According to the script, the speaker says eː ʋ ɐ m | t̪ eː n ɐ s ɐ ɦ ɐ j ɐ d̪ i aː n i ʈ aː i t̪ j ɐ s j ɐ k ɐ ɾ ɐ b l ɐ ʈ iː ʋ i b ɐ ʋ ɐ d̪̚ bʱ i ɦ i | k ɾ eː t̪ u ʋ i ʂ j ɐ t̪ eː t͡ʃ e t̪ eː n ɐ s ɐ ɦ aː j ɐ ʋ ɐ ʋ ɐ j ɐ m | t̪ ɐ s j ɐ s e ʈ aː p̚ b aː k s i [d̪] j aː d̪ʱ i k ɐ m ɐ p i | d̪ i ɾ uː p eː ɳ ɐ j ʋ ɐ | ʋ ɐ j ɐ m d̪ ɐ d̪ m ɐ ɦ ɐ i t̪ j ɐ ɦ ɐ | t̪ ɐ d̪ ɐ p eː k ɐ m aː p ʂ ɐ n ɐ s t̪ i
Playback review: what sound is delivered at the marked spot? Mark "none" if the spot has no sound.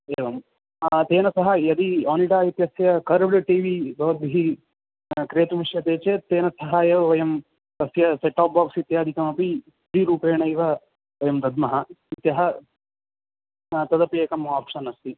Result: t̪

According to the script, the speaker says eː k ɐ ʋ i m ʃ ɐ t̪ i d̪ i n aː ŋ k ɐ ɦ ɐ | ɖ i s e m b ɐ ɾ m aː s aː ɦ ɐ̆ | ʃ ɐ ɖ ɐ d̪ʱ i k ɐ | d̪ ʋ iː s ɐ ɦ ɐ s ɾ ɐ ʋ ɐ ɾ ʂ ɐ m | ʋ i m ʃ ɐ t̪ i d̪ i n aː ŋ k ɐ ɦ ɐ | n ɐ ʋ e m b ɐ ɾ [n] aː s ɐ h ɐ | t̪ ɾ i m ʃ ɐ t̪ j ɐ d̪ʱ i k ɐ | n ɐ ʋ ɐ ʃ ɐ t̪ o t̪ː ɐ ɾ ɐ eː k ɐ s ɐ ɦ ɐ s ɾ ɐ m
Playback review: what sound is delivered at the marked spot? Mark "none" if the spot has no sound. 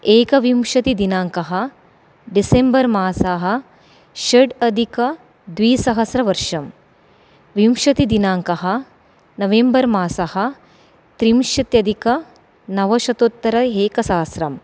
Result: m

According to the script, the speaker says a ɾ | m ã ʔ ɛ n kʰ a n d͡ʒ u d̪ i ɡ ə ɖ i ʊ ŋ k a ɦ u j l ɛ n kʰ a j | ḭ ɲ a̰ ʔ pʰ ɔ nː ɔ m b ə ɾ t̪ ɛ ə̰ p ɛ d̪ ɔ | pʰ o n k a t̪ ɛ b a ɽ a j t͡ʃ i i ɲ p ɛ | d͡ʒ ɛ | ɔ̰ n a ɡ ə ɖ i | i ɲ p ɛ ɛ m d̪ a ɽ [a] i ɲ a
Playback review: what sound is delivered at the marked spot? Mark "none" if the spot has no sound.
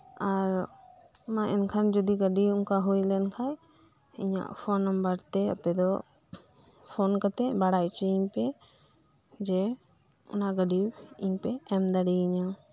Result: i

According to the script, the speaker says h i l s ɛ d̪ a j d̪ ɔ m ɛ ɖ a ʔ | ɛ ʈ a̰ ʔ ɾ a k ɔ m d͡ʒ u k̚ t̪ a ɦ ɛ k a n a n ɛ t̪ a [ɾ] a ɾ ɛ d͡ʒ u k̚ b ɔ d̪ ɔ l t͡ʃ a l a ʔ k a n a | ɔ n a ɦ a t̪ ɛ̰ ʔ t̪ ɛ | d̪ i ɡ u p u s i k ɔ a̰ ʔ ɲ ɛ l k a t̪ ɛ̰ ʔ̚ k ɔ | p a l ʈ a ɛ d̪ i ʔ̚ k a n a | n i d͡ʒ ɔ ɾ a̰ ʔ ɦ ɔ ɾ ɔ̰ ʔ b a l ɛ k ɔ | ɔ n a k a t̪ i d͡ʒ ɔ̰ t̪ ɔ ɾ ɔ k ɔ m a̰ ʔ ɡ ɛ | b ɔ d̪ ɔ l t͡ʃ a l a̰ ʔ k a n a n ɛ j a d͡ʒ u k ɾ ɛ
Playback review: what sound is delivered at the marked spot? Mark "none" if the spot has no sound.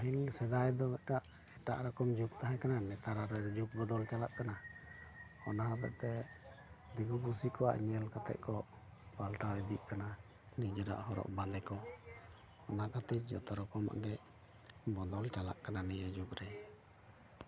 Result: ɾ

